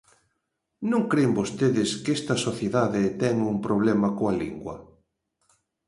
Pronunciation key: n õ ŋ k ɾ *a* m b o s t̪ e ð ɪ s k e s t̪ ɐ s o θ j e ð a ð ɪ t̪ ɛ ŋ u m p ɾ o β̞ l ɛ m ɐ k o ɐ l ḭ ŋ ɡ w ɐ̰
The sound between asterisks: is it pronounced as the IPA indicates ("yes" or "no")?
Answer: no